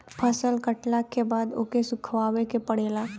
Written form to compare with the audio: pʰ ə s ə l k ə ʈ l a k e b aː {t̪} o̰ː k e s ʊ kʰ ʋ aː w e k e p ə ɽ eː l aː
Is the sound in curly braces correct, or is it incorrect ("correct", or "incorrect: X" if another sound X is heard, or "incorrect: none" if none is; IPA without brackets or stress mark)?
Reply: incorrect: d̪